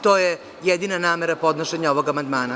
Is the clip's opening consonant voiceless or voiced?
voiceless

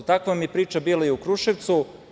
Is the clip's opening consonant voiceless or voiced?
voiceless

